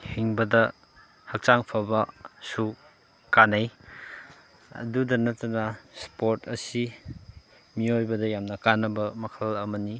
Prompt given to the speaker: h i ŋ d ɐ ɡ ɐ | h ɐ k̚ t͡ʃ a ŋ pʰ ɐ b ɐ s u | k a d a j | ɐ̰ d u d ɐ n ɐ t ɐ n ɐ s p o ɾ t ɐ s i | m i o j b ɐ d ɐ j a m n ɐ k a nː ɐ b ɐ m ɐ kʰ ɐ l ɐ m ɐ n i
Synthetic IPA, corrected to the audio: h i ŋ b ɐ d ɐ | h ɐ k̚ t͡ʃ a ŋ pʰ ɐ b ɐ s u | k a n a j | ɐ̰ d u d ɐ n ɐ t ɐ n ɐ s p o ɾ t ɐ s i | m i o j b ɐ d ɐ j a m n ɐ k a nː ɐ b ɐ m ɐ kʰ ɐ l ɐ m ɐ n i